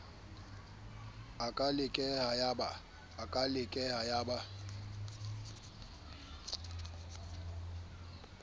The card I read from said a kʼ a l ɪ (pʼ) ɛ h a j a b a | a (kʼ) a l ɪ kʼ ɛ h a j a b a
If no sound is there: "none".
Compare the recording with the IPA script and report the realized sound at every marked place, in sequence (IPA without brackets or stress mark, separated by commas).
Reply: kʼ, kʼ